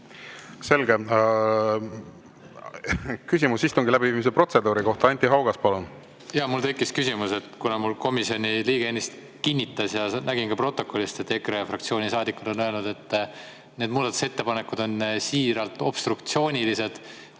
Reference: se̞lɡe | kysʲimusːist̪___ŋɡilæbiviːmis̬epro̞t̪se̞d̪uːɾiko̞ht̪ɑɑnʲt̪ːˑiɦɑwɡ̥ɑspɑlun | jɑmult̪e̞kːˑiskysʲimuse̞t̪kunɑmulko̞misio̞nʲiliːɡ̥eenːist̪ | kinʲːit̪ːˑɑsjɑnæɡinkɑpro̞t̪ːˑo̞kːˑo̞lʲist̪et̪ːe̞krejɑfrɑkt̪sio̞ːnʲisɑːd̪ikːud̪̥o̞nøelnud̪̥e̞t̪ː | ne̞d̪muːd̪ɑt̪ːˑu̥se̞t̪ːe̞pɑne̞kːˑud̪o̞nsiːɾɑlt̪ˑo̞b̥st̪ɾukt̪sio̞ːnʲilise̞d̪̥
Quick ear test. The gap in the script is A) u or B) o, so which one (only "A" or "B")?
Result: B